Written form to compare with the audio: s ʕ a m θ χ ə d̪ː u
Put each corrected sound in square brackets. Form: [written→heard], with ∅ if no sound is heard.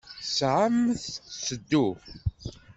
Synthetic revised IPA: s ʕ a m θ [χ→s] ə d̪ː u